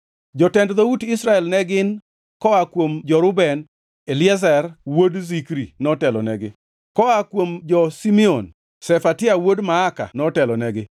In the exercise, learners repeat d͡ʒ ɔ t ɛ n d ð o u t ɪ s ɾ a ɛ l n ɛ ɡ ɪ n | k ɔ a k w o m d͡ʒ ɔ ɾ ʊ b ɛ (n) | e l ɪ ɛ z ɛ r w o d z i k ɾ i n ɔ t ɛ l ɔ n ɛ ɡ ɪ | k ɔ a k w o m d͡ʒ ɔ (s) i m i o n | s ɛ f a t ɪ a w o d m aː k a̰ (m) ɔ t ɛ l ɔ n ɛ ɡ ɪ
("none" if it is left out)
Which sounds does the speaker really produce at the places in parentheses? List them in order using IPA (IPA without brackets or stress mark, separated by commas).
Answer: n, s, n